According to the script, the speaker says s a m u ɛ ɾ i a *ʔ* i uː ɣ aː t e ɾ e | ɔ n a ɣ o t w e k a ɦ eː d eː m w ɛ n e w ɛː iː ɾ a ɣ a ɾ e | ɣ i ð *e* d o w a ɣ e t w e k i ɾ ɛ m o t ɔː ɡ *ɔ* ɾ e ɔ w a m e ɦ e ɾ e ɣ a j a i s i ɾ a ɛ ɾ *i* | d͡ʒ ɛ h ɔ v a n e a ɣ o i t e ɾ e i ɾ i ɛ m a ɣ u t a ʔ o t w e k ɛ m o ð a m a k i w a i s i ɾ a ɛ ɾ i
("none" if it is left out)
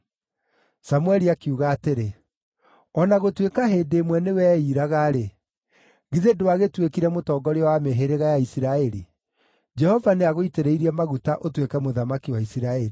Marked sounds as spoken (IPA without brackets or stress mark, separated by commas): k, e, ɔ, i